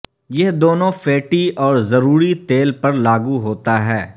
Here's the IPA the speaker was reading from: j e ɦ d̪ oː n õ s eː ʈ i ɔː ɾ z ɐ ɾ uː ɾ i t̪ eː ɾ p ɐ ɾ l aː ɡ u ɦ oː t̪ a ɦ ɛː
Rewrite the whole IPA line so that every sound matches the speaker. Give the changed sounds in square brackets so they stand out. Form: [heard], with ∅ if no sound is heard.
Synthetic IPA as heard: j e ɦ d̪ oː n õ [f] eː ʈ i ɔː ɾ z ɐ ɾ uː ɾ i t̪ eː [l] p ɐ ɾ l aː ɡ u ɦ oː t̪ a ɦ ɛː

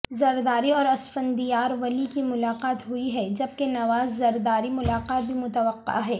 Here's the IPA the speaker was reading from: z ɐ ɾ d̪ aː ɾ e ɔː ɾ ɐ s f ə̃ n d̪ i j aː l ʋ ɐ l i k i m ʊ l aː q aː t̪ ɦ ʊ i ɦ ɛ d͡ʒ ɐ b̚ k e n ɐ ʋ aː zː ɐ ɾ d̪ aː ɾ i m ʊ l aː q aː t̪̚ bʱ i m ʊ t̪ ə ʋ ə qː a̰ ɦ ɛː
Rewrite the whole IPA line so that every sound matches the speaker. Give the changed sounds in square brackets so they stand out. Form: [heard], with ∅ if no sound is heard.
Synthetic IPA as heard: z ɐ ɾ d̪ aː ɾ [i] ɔː ɾ ɐ s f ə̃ n d̪ i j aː [ɾ] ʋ ɐ l i k i m ʊ l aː q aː t̪ ɦ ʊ i ɦ ɛ d͡ʒ ɐ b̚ k e n ɐ ʋ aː zː ɐ ɾ d̪ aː ɾ i m ʊ l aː q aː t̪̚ bʱ i m ʊ t̪ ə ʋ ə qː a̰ ɦ ɛː

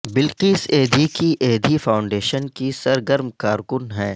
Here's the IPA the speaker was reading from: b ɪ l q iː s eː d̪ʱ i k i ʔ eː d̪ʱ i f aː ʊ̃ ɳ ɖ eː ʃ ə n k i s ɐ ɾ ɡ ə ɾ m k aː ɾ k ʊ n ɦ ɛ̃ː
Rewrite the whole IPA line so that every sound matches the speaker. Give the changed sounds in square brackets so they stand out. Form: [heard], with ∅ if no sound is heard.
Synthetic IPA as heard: b ɪ l q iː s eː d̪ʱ i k i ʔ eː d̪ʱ i f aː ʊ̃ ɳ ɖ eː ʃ ə n k i s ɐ ɾ ɡ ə ɾ m k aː ɾ k ʊ n ɦ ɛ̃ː

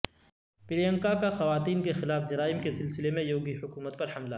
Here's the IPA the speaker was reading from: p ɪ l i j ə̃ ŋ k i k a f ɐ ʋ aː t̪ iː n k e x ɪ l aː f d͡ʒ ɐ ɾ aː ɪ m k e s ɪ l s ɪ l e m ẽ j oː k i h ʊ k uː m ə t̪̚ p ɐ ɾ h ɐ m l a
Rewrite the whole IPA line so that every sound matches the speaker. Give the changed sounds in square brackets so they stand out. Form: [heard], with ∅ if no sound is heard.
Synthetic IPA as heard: p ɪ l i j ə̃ ŋ k [a] k a [x] ɐ ʋ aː t̪ iː n k e x ɪ l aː f d͡ʒ ɐ ɾ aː ɪ m k e s ɪ l s ɪ l e m ẽ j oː [ɡ] i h ʊ k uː m ə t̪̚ p ɐ ɾ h ɐ m l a

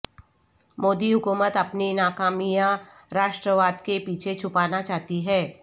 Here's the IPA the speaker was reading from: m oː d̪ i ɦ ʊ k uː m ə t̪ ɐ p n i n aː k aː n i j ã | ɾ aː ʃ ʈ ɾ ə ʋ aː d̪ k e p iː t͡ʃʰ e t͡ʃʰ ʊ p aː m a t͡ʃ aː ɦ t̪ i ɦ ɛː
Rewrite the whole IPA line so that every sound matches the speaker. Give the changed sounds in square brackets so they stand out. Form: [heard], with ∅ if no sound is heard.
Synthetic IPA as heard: m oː d̪ i ɦ ʊ k uː m ə t̪ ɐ p n i n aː k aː [m] i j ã | ɾ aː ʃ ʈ ɾ ə ʋ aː d̪ k e p iː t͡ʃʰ e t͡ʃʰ ʊ p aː [n] a t͡ʃ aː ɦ t̪ i ɦ ɛː

